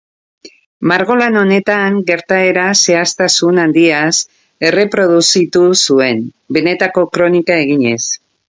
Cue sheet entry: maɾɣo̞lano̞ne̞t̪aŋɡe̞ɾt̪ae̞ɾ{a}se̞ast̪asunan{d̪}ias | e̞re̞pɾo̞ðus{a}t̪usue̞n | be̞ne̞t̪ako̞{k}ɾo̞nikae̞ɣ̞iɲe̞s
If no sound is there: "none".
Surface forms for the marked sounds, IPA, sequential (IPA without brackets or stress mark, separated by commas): a, d̪, i, k